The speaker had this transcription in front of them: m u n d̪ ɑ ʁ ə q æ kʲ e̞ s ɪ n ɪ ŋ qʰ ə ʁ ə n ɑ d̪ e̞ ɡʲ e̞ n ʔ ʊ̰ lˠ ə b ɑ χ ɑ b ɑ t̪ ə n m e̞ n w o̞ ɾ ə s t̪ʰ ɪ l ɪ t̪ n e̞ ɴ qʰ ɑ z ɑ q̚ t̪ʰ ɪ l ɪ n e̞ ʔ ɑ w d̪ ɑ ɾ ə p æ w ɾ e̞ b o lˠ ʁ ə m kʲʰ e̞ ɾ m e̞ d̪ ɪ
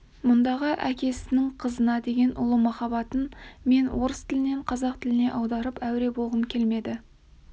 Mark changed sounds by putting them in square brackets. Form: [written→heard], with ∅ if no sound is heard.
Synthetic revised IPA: m [u→ʊ] n d̪ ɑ ʁ ə [q→ʔ] æ kʲ e̞ s ɪ n ɪ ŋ qʰ ə [ʁ→z] ə n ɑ d̪ e̞ ɡʲ e̞ n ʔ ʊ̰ lˠ ə [b→m] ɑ χ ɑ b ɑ t̪ ə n m e̞ n w o̞ ɾ ə s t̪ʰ ɪ l ɪ [t̪→∅] n e̞ ɴ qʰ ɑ z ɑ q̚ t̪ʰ ɪ l ɪ n e̞ ʔ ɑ w d̪ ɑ ɾ ə p æ w ɾ e̞ b o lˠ ʁ ə m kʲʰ e̞ [ɾ→l] m e̞ d̪ ɪ